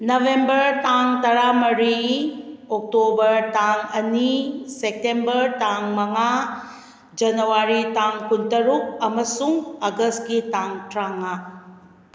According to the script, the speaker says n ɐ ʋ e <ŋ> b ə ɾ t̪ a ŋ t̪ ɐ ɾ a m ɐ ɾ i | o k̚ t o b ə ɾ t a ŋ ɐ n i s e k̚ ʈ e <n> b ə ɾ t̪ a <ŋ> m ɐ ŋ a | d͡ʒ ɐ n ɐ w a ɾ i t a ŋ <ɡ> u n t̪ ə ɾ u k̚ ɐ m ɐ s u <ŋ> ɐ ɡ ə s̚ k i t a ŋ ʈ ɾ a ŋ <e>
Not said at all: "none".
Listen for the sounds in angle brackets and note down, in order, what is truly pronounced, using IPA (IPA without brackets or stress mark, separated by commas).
m, m, ŋ, k, ŋ, a